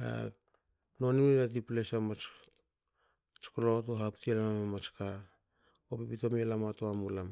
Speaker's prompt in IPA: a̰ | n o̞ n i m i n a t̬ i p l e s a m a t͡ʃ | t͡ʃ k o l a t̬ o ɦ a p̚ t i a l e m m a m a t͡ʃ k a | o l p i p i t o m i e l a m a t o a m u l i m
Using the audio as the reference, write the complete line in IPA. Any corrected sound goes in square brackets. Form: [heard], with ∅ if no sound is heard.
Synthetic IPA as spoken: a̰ | n o̞ n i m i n a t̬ i p l e s a m a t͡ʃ | t͡ʃ k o l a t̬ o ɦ a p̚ t i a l [a] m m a m a t͡ʃ k a | o [∅] p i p i t o m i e l a m a t o a m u l [a] m

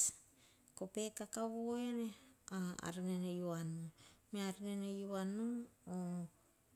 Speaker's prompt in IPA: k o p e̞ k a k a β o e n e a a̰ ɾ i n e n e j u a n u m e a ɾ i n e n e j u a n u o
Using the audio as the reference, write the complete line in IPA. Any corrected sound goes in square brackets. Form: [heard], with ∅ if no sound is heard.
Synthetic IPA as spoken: k o p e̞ k a k a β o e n e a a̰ ɾ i n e n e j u a n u m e a ɾ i n e n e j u a n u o

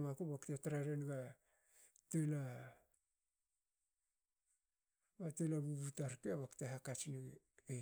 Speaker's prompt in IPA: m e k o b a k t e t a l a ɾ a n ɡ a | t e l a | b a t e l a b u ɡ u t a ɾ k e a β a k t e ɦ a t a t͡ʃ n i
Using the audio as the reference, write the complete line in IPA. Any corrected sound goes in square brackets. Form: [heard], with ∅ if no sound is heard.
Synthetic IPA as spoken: m [a] k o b a k t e t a [ɾ] a ɾ [e] n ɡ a | t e l a | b a t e l a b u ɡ u t a ɾ k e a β a k t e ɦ a [k] a t͡ʃ n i

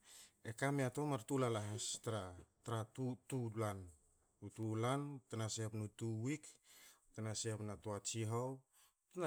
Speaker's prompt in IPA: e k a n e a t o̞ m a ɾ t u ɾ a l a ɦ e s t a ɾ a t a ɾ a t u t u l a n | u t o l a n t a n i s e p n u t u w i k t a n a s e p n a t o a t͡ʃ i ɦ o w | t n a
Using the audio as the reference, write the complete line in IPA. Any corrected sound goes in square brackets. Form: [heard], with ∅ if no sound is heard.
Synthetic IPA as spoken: e k a [m] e a t o̞ m a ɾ t u [l] a l a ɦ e s t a ɾ a t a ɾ a t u t u l a n | u t [u] l a n t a n [a] s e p n u t u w i k t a n a s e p n a t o a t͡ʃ i ɦ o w | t n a

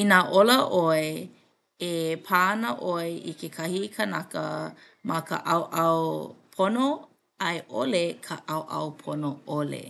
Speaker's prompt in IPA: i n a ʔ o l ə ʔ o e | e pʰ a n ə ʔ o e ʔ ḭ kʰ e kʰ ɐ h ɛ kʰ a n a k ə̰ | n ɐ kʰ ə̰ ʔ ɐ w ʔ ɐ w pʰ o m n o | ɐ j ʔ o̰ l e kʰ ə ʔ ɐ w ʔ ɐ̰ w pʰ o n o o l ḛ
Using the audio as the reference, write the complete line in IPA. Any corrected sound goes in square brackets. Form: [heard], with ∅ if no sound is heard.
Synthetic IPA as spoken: i n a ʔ o l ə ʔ o e | e pʰ a n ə ʔ o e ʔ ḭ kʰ e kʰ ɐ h [i] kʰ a n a k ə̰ | [m] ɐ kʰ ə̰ ʔ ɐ w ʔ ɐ w pʰ o [∅] n o | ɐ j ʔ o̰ l e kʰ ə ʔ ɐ w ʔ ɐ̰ w pʰ o n o o l ḛ

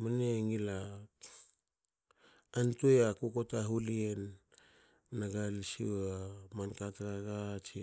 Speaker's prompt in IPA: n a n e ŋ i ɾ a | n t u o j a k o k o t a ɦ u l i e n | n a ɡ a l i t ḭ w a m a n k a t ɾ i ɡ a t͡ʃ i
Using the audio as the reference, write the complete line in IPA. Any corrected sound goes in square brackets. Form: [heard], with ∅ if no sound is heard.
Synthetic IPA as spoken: [m] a n e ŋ i [l] a | n t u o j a k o k o t a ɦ u l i e n | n a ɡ a l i [s] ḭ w a m a n k a t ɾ [a] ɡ a t͡ʃ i

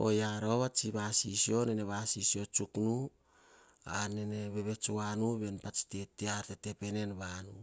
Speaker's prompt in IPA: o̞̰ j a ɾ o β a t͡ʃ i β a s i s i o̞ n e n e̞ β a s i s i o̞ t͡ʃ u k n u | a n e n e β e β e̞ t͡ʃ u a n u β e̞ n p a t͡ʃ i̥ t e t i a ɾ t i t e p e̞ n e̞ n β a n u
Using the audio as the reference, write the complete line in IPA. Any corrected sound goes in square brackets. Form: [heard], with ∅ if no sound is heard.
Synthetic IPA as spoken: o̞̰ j a ɾ o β a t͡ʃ i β a s i s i o̞ n e n e̞ β a s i s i o̞ t͡ʃ u k n u | a n e n e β e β e̞ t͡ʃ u a n u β e̞ n p a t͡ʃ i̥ t e t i a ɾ t [e] t e p e̞ n e̞ n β a n u

